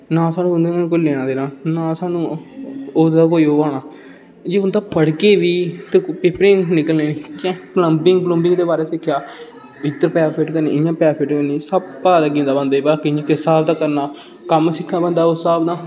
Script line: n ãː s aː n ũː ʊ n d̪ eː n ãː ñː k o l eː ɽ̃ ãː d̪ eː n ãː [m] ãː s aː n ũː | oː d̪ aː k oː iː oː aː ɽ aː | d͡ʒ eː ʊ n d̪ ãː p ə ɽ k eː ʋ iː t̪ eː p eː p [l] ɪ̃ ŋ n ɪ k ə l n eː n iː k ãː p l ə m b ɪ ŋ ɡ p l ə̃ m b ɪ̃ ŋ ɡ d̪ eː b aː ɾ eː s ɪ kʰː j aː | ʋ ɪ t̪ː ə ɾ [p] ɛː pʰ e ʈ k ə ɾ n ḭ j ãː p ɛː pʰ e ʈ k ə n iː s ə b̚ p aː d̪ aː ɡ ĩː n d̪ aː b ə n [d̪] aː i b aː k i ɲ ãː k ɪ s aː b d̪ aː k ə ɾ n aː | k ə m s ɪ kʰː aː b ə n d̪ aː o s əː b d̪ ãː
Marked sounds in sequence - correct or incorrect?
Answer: incorrect: n, incorrect: ɾ, correct, correct

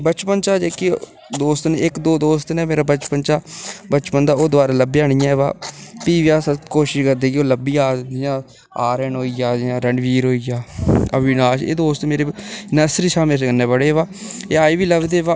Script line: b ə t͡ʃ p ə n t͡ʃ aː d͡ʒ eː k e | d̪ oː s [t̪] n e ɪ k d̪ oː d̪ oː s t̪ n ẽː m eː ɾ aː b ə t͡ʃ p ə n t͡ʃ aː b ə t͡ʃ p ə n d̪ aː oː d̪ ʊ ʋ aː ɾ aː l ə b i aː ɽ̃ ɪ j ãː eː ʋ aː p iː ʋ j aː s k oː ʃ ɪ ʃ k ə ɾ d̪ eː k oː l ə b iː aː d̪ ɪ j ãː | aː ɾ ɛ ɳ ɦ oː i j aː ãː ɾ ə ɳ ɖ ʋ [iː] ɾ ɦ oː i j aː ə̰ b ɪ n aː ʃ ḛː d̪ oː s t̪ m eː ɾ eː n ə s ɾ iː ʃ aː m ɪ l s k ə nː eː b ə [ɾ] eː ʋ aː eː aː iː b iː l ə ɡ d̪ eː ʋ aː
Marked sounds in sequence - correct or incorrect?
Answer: correct, correct, incorrect: ɽ

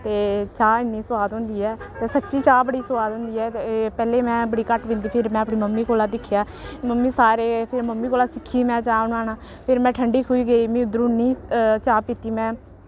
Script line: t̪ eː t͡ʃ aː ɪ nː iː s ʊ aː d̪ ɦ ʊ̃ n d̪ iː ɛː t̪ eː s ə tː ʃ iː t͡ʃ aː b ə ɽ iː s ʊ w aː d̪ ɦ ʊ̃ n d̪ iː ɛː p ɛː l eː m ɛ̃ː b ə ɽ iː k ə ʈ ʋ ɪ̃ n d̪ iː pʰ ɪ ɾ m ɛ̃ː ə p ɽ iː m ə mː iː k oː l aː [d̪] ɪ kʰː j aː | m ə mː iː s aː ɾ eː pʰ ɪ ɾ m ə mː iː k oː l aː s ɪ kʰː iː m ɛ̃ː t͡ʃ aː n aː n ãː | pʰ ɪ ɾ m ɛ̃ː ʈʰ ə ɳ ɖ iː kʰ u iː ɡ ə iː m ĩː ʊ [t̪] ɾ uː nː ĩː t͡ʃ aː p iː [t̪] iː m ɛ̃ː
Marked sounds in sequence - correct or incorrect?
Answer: correct, incorrect: d̪, correct

